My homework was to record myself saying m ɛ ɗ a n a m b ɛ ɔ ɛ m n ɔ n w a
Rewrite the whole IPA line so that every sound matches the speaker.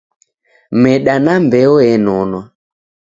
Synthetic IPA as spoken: m ɛ ɗ a n a m b ɛ ɔ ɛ n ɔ n w a